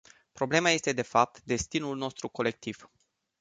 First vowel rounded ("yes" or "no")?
yes